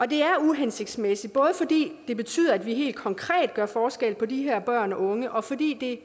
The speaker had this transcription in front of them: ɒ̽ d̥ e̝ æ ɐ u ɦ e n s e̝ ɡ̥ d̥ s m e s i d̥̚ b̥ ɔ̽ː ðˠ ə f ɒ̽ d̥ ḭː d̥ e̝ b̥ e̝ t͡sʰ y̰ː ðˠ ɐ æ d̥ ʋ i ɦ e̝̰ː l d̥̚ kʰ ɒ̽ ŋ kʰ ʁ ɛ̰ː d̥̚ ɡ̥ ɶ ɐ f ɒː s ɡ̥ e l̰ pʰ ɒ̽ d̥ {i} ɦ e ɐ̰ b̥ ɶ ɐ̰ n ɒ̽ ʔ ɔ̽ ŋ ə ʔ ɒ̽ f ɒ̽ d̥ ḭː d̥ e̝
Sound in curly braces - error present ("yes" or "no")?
no